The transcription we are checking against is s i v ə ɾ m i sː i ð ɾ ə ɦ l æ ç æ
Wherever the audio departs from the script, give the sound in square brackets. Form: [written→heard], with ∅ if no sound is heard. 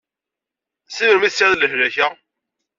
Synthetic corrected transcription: s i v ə ɾ m i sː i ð [ɾ→l] ə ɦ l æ ç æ